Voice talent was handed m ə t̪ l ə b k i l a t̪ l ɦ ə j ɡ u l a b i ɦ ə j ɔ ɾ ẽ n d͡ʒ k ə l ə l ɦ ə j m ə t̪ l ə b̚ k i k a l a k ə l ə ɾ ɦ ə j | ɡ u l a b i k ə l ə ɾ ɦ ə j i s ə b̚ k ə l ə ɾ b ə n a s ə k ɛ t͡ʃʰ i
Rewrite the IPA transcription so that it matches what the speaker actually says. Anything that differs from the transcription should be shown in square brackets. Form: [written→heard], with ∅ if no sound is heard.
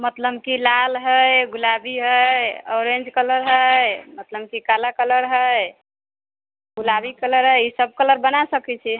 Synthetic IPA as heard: m ə t̪ l ə b k i l a [t̪→∅] l ɦ ə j ɡ u l a b i ɦ ə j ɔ ɾ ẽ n d͡ʒ k ə l ə [l→ɾ] ɦ ə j m ə t̪ l ə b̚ k i k a l a k ə l ə ɾ ɦ ə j | ɡ u l a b i k ə l ə ɾ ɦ ə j i s ə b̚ k ə l ə ɾ b ə n a s ə k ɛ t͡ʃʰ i